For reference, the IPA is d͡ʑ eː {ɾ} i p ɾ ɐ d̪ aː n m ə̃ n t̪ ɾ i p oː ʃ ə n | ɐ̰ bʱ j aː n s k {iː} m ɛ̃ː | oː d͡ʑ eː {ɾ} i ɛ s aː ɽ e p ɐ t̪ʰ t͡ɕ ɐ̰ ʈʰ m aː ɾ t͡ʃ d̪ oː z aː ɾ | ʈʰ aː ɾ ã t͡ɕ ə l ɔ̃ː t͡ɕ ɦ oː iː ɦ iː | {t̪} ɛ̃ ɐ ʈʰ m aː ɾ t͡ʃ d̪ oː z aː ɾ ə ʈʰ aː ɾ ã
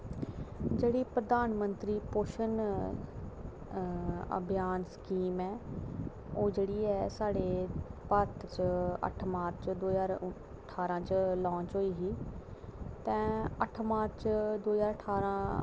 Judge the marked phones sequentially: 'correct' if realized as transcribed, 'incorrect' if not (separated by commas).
incorrect, correct, incorrect, correct